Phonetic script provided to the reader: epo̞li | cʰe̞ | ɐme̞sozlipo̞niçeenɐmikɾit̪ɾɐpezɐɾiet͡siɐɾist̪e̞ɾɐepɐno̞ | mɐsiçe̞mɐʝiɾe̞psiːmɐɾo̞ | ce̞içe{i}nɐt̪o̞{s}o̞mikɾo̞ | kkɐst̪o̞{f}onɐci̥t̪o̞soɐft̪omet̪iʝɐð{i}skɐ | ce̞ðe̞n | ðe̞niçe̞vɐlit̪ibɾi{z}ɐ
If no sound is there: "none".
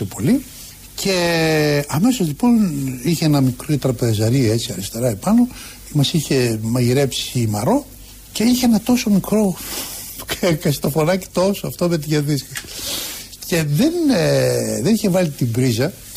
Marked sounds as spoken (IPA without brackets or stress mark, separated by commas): e, s, f, i, z